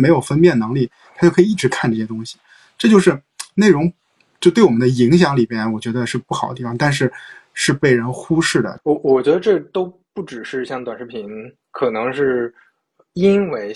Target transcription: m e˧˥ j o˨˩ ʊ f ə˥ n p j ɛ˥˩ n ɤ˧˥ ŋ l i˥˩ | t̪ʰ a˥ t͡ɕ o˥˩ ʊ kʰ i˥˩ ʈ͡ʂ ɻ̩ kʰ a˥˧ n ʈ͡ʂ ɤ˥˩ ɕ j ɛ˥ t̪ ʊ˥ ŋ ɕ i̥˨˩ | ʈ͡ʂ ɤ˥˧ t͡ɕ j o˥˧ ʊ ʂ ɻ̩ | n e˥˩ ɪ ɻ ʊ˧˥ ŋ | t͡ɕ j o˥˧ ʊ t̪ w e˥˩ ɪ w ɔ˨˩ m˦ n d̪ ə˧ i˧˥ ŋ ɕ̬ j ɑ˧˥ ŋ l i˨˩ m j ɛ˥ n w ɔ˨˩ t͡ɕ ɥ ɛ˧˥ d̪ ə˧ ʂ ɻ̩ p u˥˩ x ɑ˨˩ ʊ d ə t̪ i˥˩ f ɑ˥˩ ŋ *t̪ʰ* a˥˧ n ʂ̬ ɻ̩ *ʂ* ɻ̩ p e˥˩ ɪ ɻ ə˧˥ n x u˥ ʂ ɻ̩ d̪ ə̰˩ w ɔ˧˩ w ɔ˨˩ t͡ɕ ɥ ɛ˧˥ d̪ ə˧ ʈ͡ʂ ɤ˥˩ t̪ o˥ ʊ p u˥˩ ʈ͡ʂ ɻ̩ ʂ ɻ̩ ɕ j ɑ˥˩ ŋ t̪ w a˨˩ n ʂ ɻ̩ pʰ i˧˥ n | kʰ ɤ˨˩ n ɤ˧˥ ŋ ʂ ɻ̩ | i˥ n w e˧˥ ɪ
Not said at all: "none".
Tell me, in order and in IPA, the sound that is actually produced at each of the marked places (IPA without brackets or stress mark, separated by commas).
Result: t̪, ʂ